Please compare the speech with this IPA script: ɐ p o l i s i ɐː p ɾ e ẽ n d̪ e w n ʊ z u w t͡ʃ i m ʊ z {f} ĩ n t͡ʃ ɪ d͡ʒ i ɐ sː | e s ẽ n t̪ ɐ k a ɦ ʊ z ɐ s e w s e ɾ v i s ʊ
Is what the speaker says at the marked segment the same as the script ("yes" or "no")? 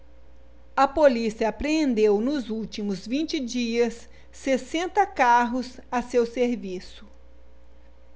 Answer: no